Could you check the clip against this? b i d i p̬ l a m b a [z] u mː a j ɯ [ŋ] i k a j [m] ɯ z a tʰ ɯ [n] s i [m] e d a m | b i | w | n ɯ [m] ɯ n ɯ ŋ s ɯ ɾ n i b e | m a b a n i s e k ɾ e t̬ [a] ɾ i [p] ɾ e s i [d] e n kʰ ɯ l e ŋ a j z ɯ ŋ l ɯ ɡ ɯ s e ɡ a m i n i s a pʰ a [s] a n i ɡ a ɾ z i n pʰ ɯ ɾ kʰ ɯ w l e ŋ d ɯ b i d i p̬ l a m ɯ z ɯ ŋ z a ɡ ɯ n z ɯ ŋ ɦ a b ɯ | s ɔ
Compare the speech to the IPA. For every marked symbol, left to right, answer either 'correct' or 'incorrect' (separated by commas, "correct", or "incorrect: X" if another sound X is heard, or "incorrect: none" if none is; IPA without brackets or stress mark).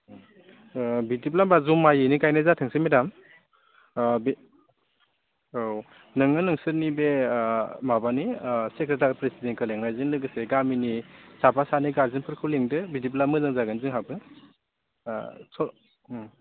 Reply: correct, incorrect: n, incorrect: n, incorrect: ŋ, correct, incorrect: ŋ, correct, correct, correct, correct